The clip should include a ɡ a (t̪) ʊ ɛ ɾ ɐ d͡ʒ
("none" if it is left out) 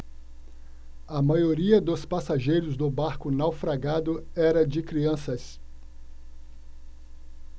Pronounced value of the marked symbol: d̪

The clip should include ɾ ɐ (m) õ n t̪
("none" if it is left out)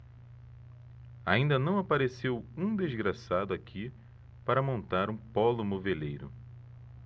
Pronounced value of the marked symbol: m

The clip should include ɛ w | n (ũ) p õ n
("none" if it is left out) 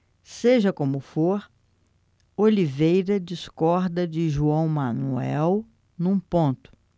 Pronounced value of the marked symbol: ũ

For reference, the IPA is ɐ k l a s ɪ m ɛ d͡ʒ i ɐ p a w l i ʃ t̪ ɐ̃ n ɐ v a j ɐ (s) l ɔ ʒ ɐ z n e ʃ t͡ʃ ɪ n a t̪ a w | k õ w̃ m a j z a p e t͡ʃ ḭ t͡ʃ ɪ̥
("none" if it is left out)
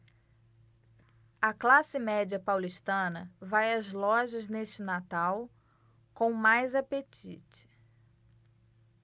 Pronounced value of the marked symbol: z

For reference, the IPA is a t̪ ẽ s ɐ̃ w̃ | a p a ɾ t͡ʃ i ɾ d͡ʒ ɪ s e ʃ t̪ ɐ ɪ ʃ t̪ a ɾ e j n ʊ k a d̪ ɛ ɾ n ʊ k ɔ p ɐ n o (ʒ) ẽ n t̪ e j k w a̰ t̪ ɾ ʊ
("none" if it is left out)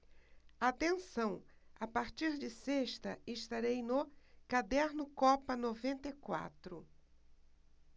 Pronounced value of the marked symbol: v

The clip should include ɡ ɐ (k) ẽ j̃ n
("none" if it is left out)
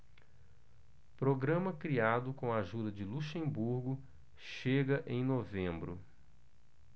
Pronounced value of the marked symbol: ʔ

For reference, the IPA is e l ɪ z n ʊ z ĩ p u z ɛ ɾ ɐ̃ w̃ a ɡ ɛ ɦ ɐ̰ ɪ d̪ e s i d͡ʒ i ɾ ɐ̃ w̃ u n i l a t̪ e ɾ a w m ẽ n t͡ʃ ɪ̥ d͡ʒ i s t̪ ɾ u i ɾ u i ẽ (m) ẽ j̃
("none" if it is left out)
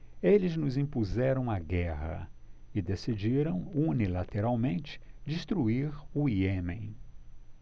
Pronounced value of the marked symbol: m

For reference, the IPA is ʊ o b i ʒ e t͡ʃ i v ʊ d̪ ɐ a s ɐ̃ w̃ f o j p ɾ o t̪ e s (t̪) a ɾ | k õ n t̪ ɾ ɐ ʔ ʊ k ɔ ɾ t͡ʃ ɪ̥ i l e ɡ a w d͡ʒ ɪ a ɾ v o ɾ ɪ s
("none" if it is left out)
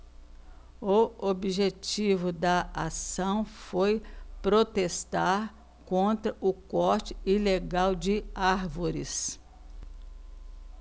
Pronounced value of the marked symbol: t̪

